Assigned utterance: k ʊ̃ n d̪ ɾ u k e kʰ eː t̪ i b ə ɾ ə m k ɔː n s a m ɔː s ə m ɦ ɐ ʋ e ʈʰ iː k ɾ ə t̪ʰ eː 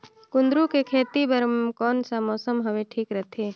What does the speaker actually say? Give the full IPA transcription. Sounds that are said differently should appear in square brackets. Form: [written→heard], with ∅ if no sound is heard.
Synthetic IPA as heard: k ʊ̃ n d̪ ɾ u k e kʰ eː t̪ i b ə ɾ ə m k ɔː n s a m ɔː s ə m ɦ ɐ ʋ e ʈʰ iː k ɾ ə t̪ʰ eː